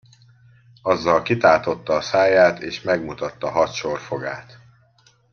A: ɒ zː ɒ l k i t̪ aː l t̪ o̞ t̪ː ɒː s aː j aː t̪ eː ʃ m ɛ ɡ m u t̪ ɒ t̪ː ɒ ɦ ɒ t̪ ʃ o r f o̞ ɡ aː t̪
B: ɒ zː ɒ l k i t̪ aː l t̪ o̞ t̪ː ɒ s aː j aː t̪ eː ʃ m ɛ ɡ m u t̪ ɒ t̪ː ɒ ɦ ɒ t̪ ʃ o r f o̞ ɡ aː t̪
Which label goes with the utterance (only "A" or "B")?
A